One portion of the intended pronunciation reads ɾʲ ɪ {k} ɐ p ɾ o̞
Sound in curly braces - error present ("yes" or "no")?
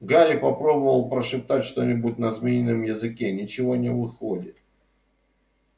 yes